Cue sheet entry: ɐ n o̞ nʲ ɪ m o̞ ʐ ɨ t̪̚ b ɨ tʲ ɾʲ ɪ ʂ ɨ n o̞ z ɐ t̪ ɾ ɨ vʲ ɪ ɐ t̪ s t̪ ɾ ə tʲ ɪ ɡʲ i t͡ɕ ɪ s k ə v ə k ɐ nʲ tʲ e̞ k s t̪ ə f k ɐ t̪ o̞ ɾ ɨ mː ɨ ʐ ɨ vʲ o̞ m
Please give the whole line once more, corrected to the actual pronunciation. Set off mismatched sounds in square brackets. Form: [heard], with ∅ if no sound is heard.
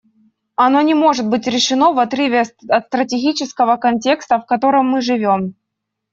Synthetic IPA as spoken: ɐ n o̞ nʲ ɪ m o̞ ʐ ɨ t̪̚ b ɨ tʲ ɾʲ ɪ ʂ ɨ n o̞ [v] ɐ t̪ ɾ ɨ vʲ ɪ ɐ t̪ s t̪ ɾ ə tʲ ɪ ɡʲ i t͡ɕ ɪ s k ə v ə k ɐ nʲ tʲ e̞ k s t̪ ə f k ɐ t̪ o̞ ɾ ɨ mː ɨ ʐ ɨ vʲ o̞ m